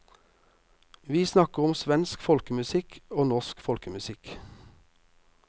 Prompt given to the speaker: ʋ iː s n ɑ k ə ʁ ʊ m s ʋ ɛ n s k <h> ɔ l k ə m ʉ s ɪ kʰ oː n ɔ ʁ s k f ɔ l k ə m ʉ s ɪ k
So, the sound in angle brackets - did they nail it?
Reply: no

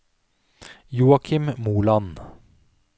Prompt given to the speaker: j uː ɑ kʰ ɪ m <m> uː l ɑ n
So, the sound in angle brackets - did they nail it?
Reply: yes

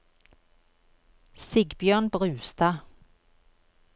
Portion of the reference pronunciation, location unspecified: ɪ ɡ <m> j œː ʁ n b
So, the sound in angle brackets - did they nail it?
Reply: no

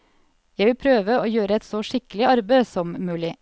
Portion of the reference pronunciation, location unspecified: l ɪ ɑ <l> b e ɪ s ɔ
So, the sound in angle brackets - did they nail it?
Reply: no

